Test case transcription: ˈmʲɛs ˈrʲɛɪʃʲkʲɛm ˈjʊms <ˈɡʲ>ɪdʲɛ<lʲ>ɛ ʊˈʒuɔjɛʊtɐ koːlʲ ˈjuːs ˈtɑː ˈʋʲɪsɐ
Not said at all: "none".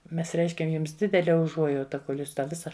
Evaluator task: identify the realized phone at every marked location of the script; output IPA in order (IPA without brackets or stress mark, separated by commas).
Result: dʲ, lʲ